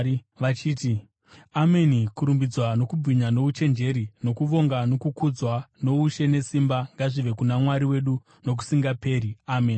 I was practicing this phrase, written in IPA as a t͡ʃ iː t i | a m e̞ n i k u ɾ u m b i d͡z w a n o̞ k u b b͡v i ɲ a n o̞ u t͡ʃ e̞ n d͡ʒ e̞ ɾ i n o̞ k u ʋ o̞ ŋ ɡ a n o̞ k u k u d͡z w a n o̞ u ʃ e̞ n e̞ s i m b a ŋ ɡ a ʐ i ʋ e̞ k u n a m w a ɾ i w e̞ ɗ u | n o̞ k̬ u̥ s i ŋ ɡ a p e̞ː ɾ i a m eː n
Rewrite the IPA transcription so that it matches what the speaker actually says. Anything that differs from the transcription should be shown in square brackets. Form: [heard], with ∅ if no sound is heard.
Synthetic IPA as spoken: a t͡ʃ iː t i | a m e̞ n i k u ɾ u m b i d͡z w a n o̞ k u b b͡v i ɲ a n o̞ u t͡ʃ e̞ n d͡ʒ e̞ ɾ i n o̞ k u ʋ o̞ ŋ ɡ a n o̞ k u k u d͡z w a n o̞ u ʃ e̞ n e̞ s i m b a ŋ ɡ a ʐ i ʋ e̞ k u n a m w a ɾ i w e̞ ɗ u | n o̞ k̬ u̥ s i ŋ ɡ a p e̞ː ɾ i a m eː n